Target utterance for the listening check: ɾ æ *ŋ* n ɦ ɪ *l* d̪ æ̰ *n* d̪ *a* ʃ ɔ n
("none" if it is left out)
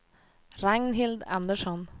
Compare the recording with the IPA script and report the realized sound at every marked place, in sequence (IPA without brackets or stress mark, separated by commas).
ŋ, l, n, ə